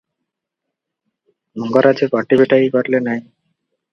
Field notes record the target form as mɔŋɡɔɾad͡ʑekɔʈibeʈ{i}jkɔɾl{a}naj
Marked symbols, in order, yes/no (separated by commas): no, no